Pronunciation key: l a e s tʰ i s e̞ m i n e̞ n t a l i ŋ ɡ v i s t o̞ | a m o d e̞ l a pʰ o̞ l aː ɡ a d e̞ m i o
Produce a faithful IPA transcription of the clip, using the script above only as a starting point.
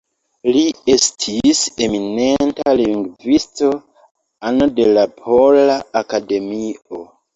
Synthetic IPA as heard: l i e s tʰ i s e̞ m i n e̞ n t a l i ŋ ɡ v i s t o̞ | a n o d e̞ l a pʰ o̞ l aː k a d e̞ m i o